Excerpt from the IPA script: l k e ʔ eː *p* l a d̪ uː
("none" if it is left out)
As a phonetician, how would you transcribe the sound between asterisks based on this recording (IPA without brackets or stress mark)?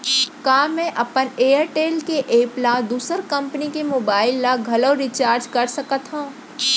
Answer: p